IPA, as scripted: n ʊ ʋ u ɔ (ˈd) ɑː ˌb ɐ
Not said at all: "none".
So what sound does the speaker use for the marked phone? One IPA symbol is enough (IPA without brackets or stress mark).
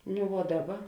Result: d